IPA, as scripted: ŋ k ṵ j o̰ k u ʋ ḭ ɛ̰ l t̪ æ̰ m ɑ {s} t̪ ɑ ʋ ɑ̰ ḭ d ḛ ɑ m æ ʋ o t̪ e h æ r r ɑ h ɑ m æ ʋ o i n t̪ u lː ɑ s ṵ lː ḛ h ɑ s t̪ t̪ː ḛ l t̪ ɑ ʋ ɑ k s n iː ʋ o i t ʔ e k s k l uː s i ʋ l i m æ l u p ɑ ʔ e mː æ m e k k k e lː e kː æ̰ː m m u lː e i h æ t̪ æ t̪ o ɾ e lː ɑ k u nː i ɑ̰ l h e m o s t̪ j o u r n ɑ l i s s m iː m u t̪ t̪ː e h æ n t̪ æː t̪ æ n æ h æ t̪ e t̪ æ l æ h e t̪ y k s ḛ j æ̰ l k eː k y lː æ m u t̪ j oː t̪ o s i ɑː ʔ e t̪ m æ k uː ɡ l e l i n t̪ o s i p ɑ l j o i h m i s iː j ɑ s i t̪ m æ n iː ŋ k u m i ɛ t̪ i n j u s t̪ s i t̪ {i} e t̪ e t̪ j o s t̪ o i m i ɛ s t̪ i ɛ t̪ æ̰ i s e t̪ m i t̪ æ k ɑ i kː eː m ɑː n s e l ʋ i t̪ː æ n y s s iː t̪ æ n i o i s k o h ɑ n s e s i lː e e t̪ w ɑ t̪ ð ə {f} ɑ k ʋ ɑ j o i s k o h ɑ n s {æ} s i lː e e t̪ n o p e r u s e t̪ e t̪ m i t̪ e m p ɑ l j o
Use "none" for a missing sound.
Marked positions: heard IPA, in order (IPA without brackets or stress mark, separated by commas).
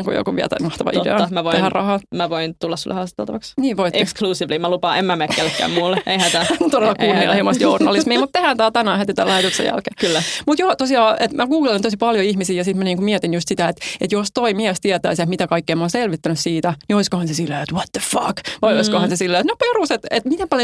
h, æ, f, e